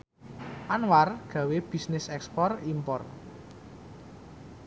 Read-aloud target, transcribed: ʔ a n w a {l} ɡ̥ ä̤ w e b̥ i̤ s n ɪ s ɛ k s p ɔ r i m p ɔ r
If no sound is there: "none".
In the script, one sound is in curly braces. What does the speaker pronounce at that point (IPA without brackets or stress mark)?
r